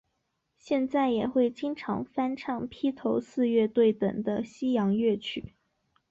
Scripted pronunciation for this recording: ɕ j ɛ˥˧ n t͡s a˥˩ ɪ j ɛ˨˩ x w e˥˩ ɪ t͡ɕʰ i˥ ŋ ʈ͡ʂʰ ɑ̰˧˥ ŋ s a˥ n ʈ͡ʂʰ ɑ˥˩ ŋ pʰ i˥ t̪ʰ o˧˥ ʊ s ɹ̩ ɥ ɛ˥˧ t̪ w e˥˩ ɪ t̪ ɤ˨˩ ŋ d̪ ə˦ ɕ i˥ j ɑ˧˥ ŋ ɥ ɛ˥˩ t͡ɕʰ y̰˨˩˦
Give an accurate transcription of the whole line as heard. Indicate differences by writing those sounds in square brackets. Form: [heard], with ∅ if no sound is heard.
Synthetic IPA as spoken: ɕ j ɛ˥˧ n t͡s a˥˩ ɪ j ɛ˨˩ x w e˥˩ ɪ [t͡ɕ] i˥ ŋ ʈ͡ʂʰ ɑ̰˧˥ ŋ [f] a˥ n ʈ͡ʂʰ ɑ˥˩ ŋ pʰ i˥ t̪ʰ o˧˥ ʊ s ɹ̩ ɥ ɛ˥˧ t̪ w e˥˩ ɪ t̪ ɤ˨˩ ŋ d̪ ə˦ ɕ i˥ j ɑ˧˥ ŋ ɥ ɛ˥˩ t͡ɕʰ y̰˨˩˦